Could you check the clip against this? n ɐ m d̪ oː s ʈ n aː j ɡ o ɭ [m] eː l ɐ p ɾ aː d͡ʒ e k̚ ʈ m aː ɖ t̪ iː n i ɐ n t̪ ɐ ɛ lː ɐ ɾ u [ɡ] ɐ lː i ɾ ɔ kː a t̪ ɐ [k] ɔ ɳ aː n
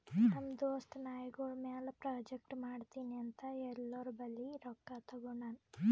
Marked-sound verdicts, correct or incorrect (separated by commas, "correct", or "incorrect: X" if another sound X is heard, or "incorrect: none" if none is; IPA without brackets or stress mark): correct, incorrect: b, incorrect: ɡ